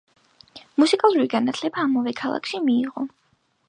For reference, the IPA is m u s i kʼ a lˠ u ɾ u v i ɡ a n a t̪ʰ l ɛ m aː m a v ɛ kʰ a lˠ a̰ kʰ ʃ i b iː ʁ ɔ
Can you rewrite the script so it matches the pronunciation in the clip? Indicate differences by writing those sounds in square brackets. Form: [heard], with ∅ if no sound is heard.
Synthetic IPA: m u s i kʼ a lˠ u ɾ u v i ɡ a n a t̪ʰ l ɛ [b] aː m a v ɛ kʰ a lˠ a̰ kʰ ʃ i [m] iː ʁ ɔ